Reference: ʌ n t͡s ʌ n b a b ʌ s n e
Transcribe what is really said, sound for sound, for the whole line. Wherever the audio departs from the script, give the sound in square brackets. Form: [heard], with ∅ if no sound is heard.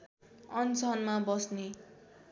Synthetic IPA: ʌ n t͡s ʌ n [m] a b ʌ s n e